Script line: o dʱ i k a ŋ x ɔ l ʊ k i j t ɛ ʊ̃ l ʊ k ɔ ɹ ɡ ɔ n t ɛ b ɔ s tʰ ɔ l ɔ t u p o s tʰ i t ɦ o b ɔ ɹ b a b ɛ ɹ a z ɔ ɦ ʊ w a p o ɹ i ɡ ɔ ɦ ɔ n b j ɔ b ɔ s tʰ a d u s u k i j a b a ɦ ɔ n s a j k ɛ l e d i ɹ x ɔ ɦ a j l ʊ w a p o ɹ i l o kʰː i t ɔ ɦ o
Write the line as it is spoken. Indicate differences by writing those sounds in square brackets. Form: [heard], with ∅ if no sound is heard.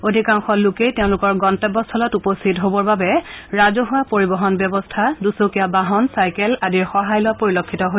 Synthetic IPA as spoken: o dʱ i k a ŋ x ɔ l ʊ k [e] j t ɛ ʊ̃ l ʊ k ɔ ɹ ɡ ɔ n t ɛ b ɔ s tʰ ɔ l ɔ t u p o s tʰ i t ɦ o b ɔ ɹ b a b ɛ ɹ a z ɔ ɦ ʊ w a p o ɹ i [b] ɔ ɦ ɔ n b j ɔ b ɔ s tʰ a d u s [o] k i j a b a ɦ ɔ n s a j k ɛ l [a] d i ɹ x ɔ ɦ a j l ʊ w a p o ɹ i l o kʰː i t ɔ ɦ o